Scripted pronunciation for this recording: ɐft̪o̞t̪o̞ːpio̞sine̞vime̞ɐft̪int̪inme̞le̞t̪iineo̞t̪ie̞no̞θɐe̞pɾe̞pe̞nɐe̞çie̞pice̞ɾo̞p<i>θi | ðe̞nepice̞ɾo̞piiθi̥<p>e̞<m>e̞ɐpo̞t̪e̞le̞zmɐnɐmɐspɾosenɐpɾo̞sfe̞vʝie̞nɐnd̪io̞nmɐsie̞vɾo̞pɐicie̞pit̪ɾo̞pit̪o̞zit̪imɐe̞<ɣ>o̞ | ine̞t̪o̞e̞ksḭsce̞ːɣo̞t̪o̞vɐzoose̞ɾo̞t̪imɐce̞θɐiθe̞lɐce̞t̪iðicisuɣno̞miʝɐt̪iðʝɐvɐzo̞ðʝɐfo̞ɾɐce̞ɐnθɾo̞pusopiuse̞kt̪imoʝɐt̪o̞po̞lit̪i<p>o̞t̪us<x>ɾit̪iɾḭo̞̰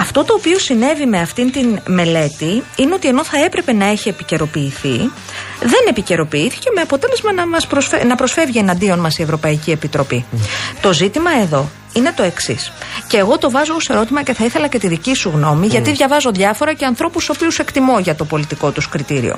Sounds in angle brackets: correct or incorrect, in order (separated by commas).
incorrect, incorrect, correct, incorrect, incorrect, incorrect